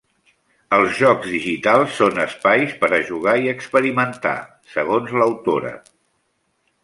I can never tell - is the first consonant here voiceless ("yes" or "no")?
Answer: no